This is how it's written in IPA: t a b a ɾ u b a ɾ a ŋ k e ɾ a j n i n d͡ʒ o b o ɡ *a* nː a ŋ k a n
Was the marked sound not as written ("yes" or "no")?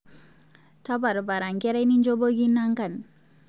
yes